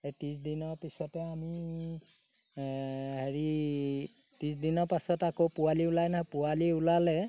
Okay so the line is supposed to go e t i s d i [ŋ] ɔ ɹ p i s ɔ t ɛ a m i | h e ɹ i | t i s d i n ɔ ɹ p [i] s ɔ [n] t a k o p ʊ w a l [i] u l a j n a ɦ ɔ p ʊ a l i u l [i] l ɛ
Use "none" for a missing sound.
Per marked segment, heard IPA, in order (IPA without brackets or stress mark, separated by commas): n, a, none, i, a